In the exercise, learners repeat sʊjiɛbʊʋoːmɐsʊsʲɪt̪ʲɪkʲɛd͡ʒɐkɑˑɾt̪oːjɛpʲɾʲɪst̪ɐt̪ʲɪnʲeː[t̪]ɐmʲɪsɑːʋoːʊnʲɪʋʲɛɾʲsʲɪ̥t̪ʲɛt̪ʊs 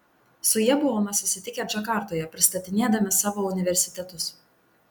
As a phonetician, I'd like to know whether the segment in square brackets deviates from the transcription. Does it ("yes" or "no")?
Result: yes